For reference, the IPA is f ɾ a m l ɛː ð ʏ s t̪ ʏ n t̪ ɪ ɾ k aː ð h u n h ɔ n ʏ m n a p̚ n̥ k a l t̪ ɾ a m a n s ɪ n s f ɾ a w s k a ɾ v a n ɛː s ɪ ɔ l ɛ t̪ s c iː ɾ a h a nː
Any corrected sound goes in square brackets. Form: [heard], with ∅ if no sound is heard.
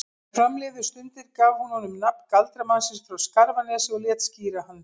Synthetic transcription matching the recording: f ɾ a m l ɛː ð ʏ s t̪ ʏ n t̪ ɪ ɾ k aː [v] h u n h ɔ n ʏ m n a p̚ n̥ k a l t̪ ɾ a m a n s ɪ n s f ɾ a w s k a ɾ v a n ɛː s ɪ ɔ l ɛ t̪ s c iː ɾ a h a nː